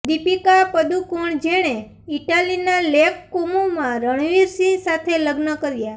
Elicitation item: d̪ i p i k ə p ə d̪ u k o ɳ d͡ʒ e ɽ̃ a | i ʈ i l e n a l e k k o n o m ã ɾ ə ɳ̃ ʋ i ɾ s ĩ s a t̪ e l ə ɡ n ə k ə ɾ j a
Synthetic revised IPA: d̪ i p i k a p ə d̪ u k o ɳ d͡ʒ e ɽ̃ e | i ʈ a l i n a l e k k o m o m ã ɾ ə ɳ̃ ʋ i ɾ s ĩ s a t̪ʰ e l ə ɡ n ə k ə ɾ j a